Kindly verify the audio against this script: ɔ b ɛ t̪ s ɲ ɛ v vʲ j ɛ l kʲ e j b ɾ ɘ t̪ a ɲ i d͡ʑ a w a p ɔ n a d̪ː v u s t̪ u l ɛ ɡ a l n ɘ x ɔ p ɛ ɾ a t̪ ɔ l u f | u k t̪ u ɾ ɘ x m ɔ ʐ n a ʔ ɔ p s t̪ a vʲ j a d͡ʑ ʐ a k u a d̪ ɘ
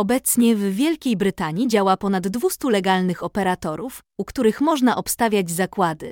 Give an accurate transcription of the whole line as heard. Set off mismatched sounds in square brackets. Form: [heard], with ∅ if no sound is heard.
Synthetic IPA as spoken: ɔ b ɛ t̪ s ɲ ɛ v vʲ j ɛ l kʲ e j b ɾ ɘ t̪ a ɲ i d͡ʑ a w a p ɔ n a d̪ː v u s t̪ u l ɛ ɡ a l n ɘ x ɔ p ɛ ɾ a t̪ ɔ [ɾ] u f | u k t̪ u ɾ ɘ x m ɔ ʐ n a ʔ ɔ p s t̪ a vʲ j a d͡ʑ [z] a k [w] a d̪ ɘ